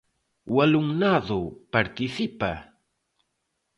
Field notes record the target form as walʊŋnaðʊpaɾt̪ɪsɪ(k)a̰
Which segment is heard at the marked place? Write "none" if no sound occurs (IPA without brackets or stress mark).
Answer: p